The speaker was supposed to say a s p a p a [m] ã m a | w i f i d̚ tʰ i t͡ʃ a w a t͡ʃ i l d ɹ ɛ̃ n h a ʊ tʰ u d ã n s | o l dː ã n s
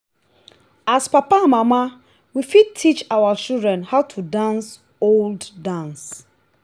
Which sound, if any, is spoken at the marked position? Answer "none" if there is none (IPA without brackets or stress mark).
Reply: m